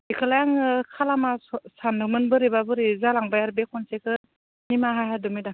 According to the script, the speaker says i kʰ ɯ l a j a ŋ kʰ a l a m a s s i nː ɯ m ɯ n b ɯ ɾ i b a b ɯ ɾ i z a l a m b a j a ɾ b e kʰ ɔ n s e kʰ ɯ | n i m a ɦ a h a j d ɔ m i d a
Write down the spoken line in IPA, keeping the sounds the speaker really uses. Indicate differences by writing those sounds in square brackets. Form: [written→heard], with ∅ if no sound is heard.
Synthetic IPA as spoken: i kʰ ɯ l a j a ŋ kʰ a l a m a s s [i→a] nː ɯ m ɯ n b ɯ ɾ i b a b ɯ ɾ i z a l a [m→ŋ] b a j a ɾ b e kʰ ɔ n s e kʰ ɯ | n i m a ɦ a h a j d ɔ m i d a